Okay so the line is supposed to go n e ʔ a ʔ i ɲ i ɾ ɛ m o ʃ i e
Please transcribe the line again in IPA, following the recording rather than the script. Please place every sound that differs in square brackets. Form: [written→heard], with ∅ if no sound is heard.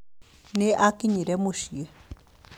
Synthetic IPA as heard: n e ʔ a [ʔ→k] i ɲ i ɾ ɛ m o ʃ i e